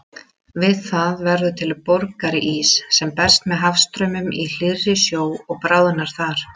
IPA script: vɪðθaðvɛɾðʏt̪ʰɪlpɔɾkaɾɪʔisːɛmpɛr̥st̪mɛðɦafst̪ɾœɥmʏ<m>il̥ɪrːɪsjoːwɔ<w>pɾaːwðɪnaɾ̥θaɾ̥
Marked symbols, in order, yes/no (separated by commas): yes, no